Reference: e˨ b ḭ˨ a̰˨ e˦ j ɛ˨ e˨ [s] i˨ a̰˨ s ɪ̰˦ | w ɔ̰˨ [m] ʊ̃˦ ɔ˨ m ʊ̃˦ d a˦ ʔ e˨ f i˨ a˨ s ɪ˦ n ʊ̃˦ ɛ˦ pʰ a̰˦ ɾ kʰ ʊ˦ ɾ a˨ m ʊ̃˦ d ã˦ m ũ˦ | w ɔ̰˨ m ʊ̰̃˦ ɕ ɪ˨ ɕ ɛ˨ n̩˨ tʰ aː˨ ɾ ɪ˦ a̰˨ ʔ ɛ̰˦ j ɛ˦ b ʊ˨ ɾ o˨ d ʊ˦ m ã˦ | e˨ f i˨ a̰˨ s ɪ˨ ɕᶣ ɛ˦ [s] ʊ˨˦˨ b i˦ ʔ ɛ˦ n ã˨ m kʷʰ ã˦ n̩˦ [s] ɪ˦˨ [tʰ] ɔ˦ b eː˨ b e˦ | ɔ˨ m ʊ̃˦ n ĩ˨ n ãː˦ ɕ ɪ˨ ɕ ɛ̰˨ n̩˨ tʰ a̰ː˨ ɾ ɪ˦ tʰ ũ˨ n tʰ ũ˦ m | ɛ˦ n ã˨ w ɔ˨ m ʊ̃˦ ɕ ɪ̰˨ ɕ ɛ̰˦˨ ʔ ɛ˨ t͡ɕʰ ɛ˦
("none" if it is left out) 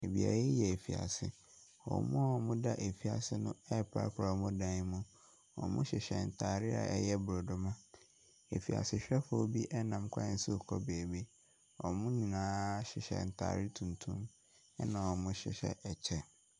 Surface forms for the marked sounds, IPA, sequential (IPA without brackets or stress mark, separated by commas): f, m, f, s, kʰ